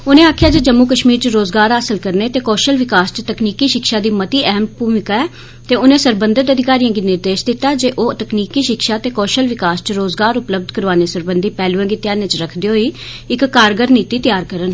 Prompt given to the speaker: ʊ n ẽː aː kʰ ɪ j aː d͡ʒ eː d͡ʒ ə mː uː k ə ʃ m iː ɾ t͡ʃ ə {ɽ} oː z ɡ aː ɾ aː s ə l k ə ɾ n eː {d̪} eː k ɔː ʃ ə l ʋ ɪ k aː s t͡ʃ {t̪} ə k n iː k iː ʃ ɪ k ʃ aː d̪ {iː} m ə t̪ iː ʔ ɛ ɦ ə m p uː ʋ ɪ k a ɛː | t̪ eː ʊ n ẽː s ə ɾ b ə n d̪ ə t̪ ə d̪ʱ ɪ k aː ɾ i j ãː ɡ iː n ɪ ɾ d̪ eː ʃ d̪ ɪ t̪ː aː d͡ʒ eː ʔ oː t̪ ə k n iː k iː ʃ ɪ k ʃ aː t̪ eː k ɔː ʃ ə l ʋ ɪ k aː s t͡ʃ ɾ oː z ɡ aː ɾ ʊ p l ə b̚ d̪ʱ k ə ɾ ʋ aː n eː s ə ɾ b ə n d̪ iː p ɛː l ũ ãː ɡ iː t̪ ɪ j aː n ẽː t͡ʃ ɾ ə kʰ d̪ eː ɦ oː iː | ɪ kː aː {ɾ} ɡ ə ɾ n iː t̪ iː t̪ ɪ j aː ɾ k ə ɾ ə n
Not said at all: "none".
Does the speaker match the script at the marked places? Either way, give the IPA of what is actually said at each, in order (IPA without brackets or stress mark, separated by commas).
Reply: ɾ, t̪, t̪, iː, ɾ